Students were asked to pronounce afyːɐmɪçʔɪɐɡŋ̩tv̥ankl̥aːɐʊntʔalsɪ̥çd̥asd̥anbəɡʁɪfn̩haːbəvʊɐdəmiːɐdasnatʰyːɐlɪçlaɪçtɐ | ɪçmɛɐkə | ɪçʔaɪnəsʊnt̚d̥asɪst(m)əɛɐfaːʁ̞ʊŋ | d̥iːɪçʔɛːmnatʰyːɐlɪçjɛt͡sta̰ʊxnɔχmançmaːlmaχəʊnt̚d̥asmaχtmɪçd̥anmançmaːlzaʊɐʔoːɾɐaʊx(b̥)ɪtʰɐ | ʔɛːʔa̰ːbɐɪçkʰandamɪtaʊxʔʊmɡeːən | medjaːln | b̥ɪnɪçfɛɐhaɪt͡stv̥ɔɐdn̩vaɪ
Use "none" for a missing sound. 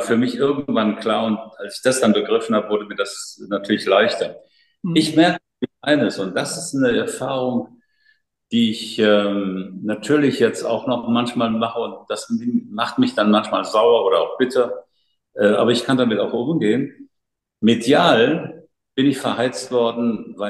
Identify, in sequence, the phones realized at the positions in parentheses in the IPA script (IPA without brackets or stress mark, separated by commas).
n, b̥